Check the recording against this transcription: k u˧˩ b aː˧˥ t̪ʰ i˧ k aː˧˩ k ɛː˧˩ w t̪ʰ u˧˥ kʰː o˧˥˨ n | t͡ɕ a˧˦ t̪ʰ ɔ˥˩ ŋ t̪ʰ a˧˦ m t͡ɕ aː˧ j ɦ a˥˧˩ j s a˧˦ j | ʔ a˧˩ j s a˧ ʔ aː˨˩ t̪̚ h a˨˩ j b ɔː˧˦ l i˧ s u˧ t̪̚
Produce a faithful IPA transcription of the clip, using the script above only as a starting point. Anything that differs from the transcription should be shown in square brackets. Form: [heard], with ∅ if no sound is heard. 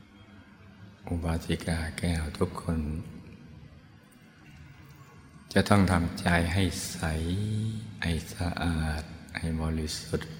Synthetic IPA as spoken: [ʔ] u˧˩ b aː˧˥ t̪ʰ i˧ k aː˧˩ k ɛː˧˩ w t̪ʰ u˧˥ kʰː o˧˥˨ n | t͡ɕ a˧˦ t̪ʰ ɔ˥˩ ŋ t̪ʰ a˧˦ m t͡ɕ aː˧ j ɦ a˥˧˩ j s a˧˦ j | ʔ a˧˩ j s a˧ ʔ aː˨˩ t̪̚ h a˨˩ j b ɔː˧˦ l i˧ s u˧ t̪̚